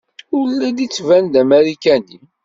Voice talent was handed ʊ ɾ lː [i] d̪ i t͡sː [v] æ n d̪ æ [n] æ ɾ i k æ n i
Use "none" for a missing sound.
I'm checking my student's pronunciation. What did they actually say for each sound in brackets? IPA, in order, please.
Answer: æ, v, m

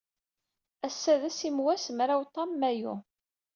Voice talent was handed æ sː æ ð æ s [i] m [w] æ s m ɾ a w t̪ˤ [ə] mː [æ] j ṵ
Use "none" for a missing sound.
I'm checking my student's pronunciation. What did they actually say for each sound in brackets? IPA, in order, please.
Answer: i, w, ɑ, æ

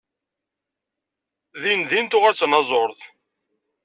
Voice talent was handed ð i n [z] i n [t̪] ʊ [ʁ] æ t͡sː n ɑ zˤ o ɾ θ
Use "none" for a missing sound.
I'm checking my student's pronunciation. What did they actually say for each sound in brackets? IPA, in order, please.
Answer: ð, t̪, ʁ

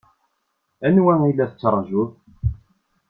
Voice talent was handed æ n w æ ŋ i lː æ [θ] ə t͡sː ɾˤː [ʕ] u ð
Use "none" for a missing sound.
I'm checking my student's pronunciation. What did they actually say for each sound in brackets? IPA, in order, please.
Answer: θ, ʒ

